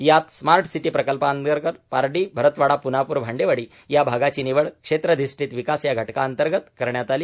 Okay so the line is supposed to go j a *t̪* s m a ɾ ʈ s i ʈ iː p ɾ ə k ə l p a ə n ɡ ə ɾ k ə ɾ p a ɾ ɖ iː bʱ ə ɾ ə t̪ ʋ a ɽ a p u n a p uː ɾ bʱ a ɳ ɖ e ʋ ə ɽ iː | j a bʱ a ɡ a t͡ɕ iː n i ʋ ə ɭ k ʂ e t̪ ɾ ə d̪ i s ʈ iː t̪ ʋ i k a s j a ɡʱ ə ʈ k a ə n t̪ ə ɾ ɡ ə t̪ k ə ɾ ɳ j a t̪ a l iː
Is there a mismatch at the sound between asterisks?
no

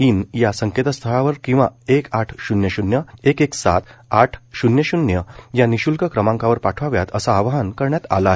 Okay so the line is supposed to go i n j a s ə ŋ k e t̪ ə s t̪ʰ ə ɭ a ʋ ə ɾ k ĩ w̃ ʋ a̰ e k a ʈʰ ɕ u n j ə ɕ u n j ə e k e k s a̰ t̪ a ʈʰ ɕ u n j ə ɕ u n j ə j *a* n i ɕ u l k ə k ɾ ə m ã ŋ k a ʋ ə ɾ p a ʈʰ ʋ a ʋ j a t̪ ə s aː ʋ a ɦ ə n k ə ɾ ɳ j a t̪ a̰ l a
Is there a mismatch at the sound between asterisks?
no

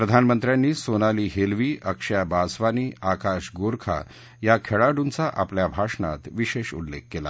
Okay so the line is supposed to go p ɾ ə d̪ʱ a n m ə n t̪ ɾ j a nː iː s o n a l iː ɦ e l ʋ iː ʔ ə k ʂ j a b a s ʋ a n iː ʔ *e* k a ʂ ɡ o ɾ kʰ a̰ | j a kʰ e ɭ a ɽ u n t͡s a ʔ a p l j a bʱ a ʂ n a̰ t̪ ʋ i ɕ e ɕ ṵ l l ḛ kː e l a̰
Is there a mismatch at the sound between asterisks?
yes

